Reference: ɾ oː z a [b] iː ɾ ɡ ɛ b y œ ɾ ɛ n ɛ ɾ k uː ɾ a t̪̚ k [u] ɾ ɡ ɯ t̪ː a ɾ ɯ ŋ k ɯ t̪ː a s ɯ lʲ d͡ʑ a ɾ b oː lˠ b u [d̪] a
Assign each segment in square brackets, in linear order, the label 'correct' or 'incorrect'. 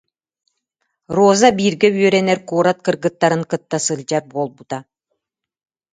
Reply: correct, incorrect: ɯ, incorrect: t̪

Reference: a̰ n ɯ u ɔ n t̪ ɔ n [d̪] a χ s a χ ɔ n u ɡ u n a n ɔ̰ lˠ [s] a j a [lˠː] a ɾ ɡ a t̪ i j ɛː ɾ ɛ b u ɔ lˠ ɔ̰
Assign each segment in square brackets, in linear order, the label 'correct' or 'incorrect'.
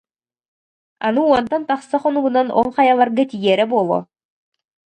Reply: incorrect: t̪, incorrect: χ, incorrect: lˠ

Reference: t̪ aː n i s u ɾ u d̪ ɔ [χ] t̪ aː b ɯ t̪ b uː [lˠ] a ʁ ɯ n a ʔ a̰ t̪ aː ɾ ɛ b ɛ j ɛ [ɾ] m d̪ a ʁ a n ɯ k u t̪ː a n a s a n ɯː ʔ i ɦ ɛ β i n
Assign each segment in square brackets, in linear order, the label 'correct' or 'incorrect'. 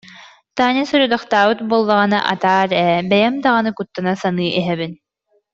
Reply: correct, incorrect: lˠː, incorrect: none

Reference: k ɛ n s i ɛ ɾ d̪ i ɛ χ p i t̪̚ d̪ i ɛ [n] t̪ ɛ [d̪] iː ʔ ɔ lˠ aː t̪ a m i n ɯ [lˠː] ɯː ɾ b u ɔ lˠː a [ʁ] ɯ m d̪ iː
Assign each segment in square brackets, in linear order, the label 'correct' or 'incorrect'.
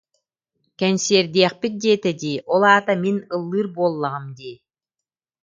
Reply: incorrect: none, correct, correct, correct

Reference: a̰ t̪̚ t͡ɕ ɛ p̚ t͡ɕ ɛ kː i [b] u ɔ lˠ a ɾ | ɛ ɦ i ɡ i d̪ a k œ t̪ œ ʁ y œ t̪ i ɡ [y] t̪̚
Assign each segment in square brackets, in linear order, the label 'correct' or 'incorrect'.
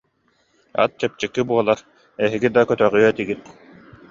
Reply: correct, incorrect: i

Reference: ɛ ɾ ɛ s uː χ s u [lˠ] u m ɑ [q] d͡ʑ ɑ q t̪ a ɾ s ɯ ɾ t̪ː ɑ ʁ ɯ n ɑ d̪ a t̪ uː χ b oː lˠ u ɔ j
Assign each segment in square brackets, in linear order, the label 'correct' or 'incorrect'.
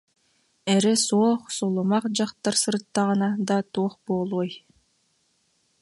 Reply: correct, correct

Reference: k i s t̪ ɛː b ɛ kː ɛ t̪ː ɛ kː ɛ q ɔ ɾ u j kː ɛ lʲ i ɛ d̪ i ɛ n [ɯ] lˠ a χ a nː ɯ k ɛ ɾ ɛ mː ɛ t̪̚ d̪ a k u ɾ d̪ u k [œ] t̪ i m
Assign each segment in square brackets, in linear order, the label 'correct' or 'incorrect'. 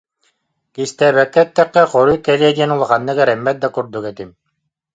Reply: incorrect: u, incorrect: ɛ

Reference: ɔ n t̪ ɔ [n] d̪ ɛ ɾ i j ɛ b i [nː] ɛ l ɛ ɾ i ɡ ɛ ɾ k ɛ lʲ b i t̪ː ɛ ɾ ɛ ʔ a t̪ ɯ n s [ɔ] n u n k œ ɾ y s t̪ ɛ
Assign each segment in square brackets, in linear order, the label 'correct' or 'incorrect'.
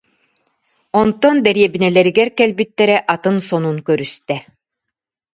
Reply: correct, incorrect: n, correct

